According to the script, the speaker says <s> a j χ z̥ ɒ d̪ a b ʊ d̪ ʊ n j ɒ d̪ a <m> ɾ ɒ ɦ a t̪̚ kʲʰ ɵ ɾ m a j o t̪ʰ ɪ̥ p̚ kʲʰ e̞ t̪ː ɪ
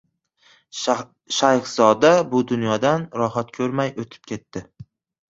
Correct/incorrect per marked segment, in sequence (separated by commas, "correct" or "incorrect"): incorrect, incorrect